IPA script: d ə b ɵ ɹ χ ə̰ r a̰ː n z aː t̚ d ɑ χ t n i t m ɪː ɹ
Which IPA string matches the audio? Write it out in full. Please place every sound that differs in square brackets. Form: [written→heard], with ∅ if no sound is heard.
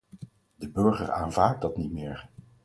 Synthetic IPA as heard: d ə b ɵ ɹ χ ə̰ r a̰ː n [z→v] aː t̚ d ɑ [χ→∅] t n i t m ɪː ɹ